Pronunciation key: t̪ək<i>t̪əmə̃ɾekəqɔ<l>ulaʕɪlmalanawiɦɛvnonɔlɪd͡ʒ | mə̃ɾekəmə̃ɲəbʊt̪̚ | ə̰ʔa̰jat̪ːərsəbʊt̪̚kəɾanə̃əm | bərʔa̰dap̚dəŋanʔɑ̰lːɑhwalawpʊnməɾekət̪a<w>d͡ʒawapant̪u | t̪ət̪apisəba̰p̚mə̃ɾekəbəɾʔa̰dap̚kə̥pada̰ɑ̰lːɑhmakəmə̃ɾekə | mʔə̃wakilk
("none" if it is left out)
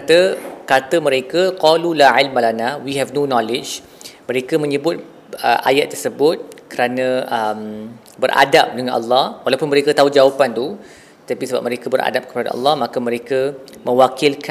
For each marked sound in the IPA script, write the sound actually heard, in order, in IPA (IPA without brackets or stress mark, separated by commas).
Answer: a, l, u